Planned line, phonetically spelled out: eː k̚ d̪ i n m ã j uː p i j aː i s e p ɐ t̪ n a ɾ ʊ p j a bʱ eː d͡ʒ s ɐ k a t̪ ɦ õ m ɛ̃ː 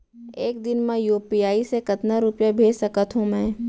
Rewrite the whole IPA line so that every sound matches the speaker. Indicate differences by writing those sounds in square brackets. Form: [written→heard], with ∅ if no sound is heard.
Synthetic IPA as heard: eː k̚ d̪ [i→ɪ] n m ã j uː p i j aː i s e [p→k] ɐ t̪ n a ɾ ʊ p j a bʱ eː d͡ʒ s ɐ k [a→ə] t̪ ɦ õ m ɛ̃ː